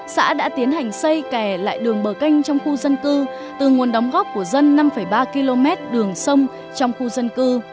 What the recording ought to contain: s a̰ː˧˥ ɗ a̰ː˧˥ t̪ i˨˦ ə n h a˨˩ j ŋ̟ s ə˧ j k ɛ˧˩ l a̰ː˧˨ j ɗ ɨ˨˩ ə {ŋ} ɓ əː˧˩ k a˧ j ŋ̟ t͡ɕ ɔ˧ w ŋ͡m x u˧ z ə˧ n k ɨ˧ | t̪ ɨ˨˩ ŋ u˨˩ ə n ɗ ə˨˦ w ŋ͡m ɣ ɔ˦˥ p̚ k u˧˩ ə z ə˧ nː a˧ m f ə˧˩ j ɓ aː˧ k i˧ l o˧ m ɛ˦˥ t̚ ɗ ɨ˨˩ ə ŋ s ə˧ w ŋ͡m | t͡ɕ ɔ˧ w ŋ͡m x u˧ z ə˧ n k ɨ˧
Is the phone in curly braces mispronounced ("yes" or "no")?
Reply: no